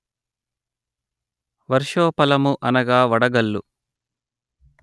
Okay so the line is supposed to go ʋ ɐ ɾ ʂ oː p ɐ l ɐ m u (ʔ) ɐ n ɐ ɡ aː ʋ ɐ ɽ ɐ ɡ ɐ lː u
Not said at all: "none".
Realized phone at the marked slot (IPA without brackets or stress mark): ʔ